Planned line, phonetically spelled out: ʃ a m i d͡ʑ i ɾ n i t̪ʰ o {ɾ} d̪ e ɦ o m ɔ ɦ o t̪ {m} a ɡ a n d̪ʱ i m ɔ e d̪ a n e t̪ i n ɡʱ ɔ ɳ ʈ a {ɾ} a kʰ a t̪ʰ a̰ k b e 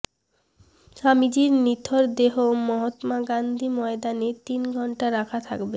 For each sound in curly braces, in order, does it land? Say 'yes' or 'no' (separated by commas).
yes, yes, yes